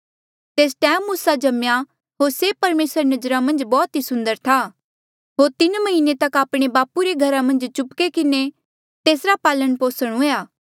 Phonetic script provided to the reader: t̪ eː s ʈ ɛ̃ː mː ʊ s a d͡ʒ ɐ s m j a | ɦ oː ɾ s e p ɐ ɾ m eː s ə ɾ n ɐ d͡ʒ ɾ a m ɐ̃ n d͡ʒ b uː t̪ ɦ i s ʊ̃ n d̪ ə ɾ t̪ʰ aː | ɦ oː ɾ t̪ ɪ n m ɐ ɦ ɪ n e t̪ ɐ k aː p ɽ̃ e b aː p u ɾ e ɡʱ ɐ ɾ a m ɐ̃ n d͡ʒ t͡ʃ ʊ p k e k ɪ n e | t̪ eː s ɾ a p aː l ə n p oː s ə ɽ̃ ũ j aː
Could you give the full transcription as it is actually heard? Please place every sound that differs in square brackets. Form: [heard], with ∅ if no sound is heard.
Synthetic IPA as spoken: t̪ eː s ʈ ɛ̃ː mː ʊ s a d͡ʒ ɐ [∅] m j a | ɦ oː ɾ s e p ɐ ɾ m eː s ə ɾ n ɐ d͡ʒ ɾ a m ɐ̃ n d͡ʒ b [ɔː] t̪ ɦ i s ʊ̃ n d̪ ə ɾ t̪ʰ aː | ɦ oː ɾ t̪ ɪ n m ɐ ɦ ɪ n e t̪ ɐ k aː p ɽ̃ e b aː p u ɾ e ɡʱ ɐ ɾ a m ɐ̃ n d͡ʒ t͡ʃ ʊ p k e k ɪ n e | t̪ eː s ɾ a p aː l ə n p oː s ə ɽ̃ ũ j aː